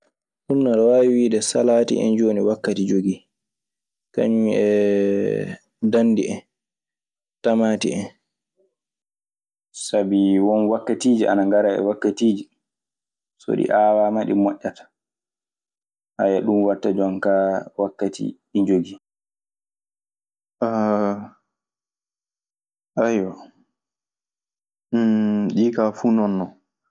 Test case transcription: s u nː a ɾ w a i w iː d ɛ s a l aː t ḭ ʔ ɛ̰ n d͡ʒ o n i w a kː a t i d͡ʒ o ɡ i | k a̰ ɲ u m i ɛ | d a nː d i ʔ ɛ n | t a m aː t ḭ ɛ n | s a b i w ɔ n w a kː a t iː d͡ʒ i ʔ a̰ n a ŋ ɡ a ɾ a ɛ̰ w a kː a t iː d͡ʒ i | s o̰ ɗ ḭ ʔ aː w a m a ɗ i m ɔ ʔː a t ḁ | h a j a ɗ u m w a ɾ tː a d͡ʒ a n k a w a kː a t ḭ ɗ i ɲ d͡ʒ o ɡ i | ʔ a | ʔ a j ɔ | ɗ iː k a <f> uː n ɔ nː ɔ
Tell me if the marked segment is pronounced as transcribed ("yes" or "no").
yes